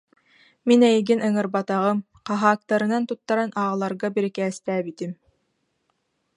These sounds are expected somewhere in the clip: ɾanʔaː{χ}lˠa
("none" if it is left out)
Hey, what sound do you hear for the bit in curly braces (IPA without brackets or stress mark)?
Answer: ʁ